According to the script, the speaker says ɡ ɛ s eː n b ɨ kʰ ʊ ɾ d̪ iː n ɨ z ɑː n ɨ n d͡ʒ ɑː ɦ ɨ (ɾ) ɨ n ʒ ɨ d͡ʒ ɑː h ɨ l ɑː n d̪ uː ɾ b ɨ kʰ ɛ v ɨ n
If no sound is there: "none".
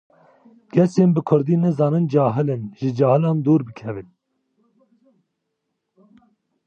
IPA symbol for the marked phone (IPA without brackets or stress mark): l